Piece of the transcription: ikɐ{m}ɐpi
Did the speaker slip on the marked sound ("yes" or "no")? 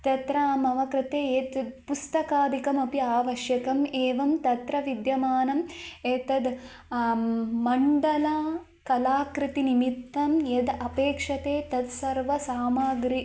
no